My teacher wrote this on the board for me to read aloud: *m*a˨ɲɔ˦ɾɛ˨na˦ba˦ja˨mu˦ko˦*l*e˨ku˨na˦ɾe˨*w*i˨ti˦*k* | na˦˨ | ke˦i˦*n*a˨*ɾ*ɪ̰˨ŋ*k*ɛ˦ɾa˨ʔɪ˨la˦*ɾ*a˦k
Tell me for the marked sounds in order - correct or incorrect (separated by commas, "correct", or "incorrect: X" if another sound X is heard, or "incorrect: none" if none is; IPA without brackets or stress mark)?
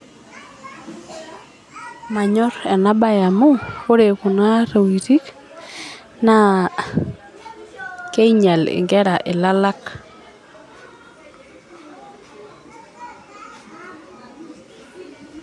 correct, incorrect: ɾ, correct, correct, incorrect: ɲ, incorrect: l, incorrect: ɡ, incorrect: l